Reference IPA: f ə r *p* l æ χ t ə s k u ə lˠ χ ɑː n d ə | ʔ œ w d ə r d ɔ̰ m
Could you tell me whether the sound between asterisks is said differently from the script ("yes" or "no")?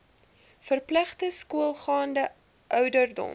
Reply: no